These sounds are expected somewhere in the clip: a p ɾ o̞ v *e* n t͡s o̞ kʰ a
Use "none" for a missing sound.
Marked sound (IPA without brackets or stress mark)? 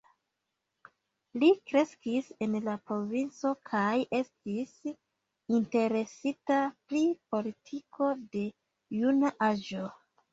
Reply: i